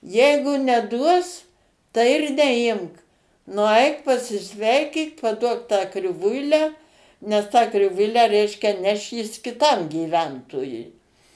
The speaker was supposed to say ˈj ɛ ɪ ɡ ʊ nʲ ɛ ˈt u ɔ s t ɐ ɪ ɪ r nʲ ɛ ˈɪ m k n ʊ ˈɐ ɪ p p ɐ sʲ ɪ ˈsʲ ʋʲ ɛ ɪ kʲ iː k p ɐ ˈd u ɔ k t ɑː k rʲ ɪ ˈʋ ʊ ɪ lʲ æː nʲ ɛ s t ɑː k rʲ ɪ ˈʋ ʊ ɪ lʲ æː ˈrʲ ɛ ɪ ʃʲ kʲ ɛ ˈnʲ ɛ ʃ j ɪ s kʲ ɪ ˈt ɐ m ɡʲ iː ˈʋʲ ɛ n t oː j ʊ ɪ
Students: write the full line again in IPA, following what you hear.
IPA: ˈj ɛ ɪ ɡ ʊ nʲ ɛ ˈd u ɔ s t ɐ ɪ ɪ r nʲ ɛ ˈɪ m k n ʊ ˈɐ ɪ k p ɐ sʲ ɪ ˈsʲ ʋʲ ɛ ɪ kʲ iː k p ɐ ˈd u ɔ k t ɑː k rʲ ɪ ˈʋ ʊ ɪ lʲ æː nʲ ɛ s t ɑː k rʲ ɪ ˈʋ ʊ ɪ lʲ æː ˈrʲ ɛ ɪ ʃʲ kʲ ɛ ˈnʲ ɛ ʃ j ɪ s kʲ ɪ ˈt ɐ m ɡʲ iː ˈʋʲ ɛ n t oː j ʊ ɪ

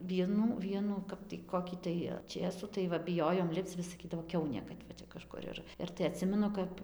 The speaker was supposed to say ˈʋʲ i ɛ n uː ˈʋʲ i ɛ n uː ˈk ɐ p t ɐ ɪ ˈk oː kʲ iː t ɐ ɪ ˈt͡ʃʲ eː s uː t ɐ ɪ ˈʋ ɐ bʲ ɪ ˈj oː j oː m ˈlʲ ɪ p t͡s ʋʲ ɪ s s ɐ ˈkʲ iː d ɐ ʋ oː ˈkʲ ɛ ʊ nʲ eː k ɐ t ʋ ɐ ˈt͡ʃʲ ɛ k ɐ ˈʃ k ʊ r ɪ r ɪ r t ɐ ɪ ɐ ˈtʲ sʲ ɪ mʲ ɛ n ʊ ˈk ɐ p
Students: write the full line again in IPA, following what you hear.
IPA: ˈʋʲ i ɛ n uː ˈʋʲ i ɛ n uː ˈk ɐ p t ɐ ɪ ˈk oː kʲ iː t ɐ ɪ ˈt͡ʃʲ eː s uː t ɐ ɪ ˈʋ ɐ bʲ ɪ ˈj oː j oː m ˈlʲ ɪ p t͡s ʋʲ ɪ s s ɐ ˈkʲ iː d ɐ ʋ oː ˈkʲ ɛ ʊ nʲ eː k ɐ t ʋ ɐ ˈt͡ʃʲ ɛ k ɐ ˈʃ k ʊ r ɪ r ɪ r t ɐ ɪ ɐ ˈtʲ sʲ ɪ mʲ ɛ n ʊ ˈk ɐ p

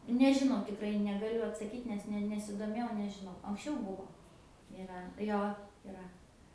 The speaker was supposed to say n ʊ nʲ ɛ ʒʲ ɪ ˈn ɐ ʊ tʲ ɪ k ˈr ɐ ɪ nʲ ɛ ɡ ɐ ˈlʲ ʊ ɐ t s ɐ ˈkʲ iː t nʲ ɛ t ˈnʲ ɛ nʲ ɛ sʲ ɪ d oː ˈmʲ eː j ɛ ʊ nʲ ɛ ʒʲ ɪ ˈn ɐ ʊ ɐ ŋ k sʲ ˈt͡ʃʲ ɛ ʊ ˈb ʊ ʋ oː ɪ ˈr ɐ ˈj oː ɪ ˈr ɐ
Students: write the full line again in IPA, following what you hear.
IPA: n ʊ nʲ ɛ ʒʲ ɪ ˈn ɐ ʊ tʲ ɪ k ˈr ɐ ɪ nʲ ɛ ɡ ɐ ˈlʲ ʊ ɐ t s ɐ ˈkʲ iː t nʲ ɛ s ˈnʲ ɛ nʲ ɛ sʲ ɪ d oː ˈmʲ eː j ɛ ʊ nʲ ɛ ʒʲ ɪ ˈn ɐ ʊ ɐ ŋ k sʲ ˈt͡ʃʲ ɛ ʊ ˈb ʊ ʋ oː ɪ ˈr ɐ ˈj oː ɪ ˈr ɐ

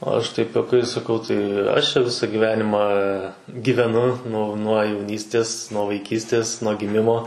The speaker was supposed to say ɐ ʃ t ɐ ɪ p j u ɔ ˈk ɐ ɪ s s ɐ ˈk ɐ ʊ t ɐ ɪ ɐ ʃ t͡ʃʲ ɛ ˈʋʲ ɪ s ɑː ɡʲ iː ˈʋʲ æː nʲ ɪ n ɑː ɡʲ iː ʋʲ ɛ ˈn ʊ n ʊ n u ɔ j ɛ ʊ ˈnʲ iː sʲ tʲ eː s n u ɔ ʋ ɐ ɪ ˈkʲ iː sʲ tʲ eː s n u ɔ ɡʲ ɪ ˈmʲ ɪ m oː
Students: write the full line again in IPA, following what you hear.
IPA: ɐ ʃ t ɐ ɪ p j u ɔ ˈk ɐ ɪ s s ɐ ˈk ɐ ʊ t ɐ ɪ ɐ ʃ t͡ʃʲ ɛ ˈʋʲ ɪ s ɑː ɡʲ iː ˈʋʲ æː nʲ ɪ m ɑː ɡʲ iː ʋʲ ɛ ˈn ʊ n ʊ n u ɔ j ɛ ʊ ˈnʲ iː sʲ tʲ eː s n u ɔ ʋ ɐ ɪ ˈkʲ iː sʲ tʲ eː s n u ɔ ɡʲ ɪ ˈmʲ ɪ m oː

